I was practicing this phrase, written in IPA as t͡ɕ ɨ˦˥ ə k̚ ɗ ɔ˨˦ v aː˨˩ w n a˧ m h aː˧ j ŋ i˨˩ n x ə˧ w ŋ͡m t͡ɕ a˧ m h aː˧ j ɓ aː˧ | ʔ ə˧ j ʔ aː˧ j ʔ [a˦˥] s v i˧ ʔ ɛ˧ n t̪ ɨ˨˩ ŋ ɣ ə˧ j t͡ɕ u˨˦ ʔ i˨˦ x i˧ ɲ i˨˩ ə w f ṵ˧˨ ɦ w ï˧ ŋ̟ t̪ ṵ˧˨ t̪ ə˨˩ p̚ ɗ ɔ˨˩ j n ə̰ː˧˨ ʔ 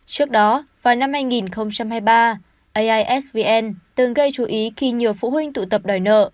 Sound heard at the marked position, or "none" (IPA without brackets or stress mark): ɛ˦˥